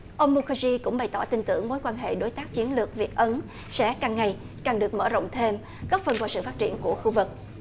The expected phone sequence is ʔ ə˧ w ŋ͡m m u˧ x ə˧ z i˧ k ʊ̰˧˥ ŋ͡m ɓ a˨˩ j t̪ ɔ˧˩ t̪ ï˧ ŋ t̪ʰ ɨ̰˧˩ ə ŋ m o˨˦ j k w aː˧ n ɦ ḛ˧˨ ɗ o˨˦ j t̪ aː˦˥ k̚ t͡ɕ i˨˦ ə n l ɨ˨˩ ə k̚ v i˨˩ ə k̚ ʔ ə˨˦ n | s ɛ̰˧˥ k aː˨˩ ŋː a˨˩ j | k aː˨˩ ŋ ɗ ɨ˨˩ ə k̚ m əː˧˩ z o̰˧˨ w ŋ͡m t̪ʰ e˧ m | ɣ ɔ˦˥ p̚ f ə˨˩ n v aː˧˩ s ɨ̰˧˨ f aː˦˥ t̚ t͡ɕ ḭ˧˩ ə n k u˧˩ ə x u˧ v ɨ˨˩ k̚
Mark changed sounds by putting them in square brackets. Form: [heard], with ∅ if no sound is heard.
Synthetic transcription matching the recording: ʔ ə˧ w ŋ͡m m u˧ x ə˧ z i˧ k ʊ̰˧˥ ŋ͡m ɓ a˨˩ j t̪ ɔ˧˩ t̪ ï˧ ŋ [t̪] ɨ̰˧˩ ə ŋ m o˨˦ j k w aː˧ n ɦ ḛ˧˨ ɗ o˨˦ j t̪ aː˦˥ k̚ t͡ɕ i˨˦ ə n l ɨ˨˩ ə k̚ v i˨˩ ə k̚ ʔ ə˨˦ n | s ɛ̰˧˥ k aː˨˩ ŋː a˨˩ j | k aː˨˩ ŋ ɗ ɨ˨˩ ə k̚ m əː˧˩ z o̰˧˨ w ŋ͡m t̪ʰ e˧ m | ɣ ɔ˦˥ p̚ f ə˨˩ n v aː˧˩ s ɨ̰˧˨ f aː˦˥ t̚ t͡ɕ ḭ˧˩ ə n k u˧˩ ə x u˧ v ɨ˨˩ k̚

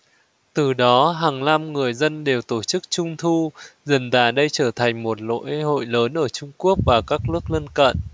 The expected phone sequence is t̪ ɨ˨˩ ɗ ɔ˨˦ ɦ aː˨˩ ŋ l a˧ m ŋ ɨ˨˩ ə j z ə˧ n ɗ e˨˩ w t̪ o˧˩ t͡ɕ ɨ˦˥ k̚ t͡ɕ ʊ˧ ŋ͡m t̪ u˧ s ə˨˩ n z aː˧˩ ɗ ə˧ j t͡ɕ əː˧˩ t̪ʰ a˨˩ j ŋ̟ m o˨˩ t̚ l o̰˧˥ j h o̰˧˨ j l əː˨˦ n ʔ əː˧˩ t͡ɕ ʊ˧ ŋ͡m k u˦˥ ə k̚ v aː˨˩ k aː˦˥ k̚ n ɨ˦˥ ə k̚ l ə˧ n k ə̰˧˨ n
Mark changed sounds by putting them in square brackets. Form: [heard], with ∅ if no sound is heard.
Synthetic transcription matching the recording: t̪ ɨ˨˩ ɗ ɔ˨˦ ɦ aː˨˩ ŋ l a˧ m ŋ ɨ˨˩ ə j z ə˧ n ɗ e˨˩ w t̪ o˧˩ t͡ɕ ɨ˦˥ k̚ t͡ɕ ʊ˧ ŋ͡m [t̪ʰ] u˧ [z] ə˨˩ n z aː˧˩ ɗ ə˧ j t͡ɕ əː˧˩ t̪ʰ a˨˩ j ŋ̟ m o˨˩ t̚ l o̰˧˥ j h o̰˧˨ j l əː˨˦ n ʔ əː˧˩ t͡ɕ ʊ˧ ŋ͡m k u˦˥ ə k̚ v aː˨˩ k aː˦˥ k̚ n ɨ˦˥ ə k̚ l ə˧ n k ə̰˧˨ n

